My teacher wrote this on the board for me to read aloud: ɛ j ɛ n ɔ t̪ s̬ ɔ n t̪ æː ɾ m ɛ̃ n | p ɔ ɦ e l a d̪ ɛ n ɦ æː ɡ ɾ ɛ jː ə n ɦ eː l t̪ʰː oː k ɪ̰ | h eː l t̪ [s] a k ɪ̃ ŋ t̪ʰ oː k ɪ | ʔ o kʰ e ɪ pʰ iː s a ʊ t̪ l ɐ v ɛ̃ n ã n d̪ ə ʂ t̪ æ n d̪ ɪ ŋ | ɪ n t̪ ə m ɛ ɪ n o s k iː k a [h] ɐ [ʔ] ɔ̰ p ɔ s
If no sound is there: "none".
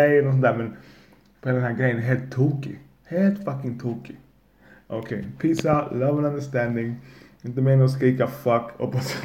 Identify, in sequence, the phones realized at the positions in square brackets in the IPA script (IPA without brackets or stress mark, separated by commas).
f, f, k